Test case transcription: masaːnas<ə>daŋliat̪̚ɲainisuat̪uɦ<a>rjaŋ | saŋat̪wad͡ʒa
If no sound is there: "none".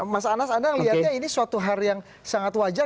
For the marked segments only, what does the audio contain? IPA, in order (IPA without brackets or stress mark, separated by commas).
a, a